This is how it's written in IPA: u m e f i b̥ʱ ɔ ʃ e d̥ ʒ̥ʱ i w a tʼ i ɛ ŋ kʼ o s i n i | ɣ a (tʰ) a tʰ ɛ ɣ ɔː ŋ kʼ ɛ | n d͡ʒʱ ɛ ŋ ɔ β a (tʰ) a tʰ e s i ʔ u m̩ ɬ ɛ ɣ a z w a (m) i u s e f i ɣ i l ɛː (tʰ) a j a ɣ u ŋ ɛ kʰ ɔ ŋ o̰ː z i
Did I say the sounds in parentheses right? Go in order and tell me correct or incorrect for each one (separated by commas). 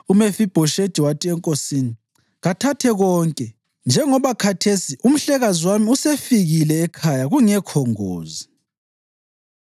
correct, incorrect, correct, incorrect